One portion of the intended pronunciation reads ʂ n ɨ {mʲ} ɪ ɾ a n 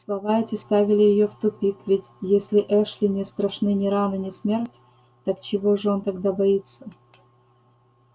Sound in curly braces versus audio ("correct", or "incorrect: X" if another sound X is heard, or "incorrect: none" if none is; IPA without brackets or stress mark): incorrect: nʲ